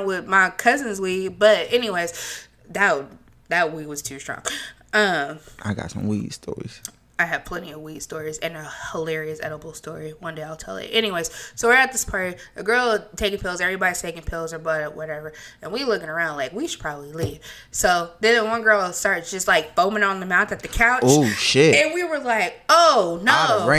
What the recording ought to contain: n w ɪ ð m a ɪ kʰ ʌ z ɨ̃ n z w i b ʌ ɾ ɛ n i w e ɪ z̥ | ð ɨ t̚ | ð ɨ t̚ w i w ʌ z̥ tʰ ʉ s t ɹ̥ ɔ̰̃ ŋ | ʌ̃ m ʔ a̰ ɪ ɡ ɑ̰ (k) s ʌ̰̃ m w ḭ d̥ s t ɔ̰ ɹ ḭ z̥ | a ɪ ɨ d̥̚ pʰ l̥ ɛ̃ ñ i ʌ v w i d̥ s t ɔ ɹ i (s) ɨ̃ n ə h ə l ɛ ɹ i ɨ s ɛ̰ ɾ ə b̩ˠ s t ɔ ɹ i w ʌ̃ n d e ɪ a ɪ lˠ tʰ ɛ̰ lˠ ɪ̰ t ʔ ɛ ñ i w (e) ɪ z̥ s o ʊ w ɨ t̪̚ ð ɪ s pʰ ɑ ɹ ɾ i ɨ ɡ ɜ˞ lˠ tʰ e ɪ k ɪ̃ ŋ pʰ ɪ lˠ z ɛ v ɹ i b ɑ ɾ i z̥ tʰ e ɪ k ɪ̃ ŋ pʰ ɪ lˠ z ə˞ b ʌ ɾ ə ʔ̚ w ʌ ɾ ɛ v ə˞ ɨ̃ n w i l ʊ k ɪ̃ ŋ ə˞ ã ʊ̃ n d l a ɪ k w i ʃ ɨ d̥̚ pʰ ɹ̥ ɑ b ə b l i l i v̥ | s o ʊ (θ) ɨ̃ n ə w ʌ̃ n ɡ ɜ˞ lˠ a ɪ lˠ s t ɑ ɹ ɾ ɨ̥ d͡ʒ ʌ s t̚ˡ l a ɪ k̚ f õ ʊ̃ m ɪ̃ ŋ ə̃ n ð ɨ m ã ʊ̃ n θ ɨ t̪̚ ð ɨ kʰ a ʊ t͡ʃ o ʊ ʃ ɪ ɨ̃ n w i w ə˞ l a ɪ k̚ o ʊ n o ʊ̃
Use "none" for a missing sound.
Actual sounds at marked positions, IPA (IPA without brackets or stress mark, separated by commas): t, z, e, ð